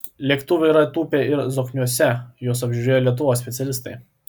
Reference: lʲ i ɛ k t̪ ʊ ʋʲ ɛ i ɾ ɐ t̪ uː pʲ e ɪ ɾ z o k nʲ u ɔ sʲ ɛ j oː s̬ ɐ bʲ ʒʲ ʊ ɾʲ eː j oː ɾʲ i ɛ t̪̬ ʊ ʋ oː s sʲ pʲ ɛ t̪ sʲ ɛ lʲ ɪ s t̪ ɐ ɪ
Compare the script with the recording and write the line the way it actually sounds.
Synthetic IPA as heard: lʲ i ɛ k t̪ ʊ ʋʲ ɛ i ɾ ɐ t̪ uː pʲ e ɪ ɾ z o k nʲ u ɔ sʲ ɛ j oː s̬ ɐ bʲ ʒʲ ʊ ɾʲ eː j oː lʲ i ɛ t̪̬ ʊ ʋ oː s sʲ pʲ ɛ t̪ sʲ ɛ lʲ ɪ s t̪ ɐ ɪ